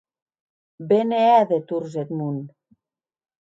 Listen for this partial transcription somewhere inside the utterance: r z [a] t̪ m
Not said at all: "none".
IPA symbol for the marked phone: e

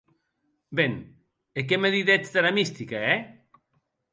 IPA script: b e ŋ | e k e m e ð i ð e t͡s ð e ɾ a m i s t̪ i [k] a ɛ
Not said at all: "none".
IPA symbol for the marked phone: k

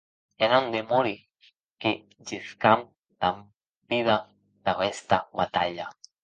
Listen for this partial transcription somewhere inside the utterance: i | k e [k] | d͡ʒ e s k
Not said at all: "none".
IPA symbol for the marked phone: none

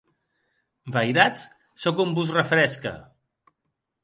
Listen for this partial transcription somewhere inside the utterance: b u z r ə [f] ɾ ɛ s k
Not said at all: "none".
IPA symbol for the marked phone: f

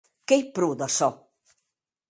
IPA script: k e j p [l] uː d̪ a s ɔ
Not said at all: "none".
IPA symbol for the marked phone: ɾ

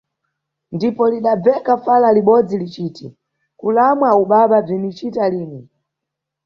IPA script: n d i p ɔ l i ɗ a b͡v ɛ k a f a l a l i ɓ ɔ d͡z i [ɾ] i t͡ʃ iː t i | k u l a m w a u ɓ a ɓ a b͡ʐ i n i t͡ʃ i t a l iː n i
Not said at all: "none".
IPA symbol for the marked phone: l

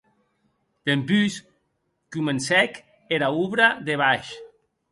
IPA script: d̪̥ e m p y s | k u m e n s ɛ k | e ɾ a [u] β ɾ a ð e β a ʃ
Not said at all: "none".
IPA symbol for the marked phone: u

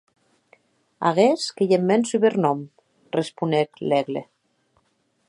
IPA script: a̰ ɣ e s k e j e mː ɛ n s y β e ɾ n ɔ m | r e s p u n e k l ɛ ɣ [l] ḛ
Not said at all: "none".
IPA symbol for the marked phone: l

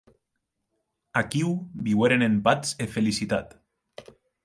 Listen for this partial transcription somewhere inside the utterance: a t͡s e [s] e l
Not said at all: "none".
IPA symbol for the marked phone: f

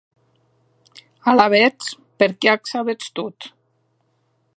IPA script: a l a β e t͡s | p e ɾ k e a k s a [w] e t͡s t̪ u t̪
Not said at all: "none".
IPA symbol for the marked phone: β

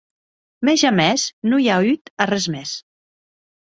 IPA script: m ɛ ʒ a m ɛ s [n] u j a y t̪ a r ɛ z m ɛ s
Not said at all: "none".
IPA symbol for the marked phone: n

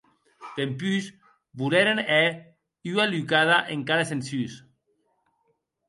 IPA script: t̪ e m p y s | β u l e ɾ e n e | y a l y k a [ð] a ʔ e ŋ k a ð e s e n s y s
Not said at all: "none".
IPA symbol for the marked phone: ð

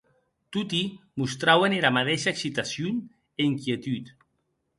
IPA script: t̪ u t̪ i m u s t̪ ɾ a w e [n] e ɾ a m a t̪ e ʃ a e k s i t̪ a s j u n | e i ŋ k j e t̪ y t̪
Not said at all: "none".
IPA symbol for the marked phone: n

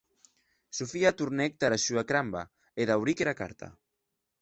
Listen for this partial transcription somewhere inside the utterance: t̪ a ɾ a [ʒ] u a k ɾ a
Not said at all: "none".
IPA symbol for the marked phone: ʃ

